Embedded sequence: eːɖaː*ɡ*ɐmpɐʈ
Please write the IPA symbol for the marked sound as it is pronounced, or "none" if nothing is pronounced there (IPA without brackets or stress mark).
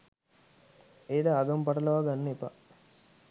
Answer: ɡ